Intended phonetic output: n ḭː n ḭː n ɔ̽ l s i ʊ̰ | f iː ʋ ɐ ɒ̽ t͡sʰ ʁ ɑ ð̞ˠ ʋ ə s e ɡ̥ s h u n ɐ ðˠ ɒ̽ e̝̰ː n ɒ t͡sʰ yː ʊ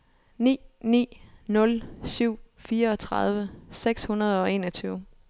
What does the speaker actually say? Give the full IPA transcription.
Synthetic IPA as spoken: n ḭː n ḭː n ɔ̽ l s y ʊ̰ | f iː ɐ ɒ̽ t͡sʰ ʁ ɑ ð̞ˠ ʋ ə s e ɡ̥ s h u n ɐ ðˠ ɒ̽ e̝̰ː n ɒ t͡sʰ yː ʊ